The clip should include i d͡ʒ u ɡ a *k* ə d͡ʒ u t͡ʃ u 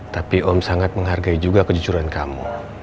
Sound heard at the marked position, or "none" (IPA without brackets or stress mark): k